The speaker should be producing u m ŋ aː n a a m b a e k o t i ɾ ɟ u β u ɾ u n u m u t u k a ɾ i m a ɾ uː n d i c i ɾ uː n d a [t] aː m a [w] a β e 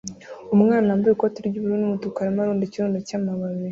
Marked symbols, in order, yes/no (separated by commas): no, no